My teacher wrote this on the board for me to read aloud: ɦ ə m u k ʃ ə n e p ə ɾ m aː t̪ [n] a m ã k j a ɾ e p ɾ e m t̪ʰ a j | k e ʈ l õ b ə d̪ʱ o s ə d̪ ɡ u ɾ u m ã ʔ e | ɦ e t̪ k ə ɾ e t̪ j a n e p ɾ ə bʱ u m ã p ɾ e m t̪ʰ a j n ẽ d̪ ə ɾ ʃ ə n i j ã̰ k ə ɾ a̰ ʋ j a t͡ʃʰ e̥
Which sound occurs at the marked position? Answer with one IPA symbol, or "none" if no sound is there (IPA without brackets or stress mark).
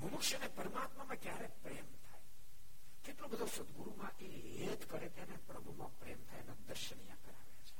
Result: m